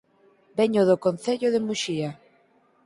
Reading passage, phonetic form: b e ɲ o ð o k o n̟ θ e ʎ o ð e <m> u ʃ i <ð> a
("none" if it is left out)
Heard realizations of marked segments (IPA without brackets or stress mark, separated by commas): m, none